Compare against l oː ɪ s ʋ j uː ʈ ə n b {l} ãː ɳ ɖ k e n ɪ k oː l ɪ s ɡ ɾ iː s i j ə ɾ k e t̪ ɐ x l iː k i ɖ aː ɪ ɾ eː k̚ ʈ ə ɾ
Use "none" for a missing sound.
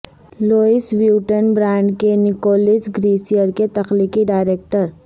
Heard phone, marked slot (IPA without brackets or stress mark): ɾ